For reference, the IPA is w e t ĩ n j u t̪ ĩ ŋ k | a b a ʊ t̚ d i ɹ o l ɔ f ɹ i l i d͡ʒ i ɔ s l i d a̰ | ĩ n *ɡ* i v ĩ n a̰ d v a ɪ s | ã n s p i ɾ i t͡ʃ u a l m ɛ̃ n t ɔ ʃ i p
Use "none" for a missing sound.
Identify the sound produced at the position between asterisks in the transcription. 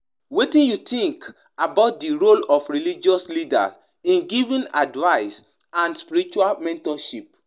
ɡ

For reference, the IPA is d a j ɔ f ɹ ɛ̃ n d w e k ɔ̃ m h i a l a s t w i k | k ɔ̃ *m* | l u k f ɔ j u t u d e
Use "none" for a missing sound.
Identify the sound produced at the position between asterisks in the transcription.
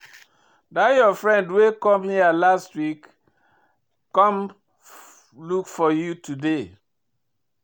m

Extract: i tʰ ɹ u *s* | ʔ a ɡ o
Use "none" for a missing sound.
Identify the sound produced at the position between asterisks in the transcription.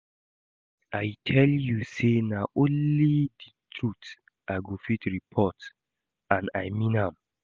t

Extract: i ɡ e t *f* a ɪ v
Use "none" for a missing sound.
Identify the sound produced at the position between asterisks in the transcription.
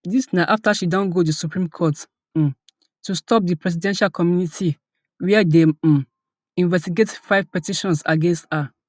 f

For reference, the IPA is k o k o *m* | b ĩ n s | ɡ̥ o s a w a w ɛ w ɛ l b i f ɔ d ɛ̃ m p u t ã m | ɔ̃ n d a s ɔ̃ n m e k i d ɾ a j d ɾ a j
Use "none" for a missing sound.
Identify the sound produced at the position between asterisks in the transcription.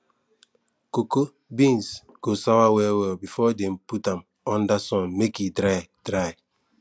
none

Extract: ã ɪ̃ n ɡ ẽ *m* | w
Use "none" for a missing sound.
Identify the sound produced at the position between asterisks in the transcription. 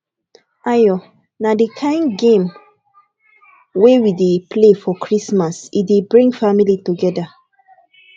m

